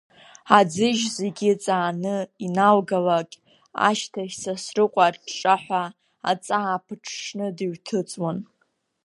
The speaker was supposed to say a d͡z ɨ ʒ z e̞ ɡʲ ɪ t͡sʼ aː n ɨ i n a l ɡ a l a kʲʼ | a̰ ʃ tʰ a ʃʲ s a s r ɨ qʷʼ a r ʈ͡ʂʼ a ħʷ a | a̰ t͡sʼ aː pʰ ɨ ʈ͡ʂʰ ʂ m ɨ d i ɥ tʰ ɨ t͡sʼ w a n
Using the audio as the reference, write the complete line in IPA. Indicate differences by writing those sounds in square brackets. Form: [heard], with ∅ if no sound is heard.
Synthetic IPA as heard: a d͡z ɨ ʒ z e̞ ɡʲ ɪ t͡sʼ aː n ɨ i n a l ɡ a l a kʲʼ | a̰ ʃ tʰ a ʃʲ s a s r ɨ qʷʼ a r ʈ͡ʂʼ a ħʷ a | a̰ t͡sʼ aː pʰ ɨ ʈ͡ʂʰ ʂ [n] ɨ d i ɥ tʰ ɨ t͡sʼ w a n